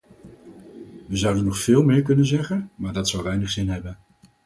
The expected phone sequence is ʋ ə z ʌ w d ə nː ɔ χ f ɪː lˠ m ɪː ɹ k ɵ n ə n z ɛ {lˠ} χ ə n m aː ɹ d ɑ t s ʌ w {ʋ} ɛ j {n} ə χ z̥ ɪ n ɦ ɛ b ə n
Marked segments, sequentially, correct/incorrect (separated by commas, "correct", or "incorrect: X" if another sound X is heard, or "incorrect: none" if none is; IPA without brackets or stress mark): incorrect: none, correct, correct